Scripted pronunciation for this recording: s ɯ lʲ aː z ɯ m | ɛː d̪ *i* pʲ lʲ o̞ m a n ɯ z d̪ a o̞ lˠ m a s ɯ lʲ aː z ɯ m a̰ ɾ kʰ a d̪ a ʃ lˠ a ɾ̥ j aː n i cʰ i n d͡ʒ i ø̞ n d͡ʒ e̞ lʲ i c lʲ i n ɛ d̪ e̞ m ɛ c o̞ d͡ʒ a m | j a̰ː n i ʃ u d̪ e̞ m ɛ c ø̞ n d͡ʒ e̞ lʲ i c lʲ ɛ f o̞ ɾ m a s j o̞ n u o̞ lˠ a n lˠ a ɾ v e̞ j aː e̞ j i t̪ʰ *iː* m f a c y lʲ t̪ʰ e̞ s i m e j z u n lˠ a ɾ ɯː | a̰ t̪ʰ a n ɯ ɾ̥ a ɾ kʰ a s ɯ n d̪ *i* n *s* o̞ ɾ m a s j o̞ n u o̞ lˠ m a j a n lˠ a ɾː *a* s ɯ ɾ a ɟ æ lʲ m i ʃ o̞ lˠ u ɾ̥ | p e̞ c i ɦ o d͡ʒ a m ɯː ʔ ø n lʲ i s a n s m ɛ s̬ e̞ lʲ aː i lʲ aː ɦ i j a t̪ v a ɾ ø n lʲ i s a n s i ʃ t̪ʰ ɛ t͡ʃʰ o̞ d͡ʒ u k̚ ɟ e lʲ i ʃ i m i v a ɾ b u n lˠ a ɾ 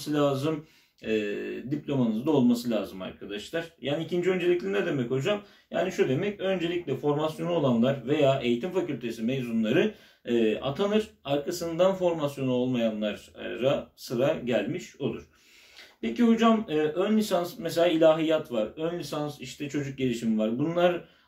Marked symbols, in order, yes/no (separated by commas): yes, no, no, no, yes